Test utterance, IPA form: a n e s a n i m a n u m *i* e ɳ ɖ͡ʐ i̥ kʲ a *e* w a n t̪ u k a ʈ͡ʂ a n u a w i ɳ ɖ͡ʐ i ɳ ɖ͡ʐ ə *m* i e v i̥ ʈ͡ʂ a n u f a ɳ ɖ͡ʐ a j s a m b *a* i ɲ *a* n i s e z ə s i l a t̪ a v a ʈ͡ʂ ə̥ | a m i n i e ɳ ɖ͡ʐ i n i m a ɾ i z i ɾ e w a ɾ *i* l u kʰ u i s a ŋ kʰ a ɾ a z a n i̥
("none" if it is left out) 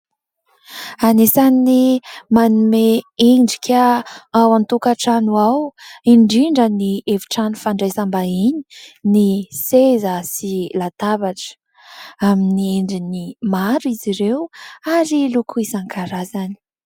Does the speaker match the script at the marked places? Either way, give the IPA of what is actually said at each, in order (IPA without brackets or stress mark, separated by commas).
e, a, n, a, i, i